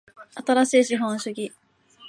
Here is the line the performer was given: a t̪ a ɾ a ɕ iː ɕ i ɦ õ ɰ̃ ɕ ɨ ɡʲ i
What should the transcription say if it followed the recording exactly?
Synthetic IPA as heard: a t̪ a ɾ a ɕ iː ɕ i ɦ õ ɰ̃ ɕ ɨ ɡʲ i